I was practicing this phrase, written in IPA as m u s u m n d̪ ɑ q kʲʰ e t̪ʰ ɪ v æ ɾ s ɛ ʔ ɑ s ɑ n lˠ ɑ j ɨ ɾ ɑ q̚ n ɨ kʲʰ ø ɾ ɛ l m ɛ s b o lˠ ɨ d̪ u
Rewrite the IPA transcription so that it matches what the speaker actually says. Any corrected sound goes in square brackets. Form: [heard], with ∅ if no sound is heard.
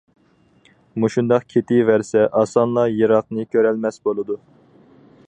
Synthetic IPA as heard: m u [ʃ] u [∅] n d̪ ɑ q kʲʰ e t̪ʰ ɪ v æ ɾ s ɛ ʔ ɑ s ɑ n lˠ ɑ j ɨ ɾ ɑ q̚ n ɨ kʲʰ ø ɾ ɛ l m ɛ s b o lˠ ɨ d̪ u